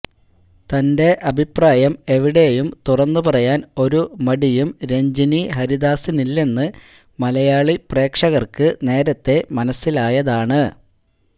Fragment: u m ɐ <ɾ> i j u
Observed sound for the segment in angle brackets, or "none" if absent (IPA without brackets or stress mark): ɽ